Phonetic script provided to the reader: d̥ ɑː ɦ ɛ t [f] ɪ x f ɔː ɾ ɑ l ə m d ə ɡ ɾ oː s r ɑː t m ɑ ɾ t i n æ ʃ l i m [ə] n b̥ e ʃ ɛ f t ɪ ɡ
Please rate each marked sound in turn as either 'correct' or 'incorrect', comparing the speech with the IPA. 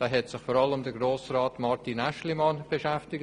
incorrect, incorrect

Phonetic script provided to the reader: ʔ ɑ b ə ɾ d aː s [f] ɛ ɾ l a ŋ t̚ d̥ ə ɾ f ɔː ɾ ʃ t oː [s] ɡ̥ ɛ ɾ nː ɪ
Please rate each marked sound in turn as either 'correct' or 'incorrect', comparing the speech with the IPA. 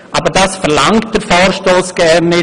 correct, correct

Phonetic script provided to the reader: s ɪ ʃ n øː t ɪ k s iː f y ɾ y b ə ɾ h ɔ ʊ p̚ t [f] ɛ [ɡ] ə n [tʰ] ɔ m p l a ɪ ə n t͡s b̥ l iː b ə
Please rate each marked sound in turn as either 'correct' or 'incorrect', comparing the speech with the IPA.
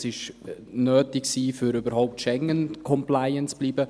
incorrect, incorrect, incorrect

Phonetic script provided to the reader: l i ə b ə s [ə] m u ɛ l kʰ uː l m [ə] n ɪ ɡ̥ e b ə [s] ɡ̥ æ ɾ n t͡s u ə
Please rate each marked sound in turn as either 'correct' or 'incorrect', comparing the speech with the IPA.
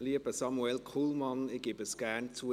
incorrect, incorrect, correct

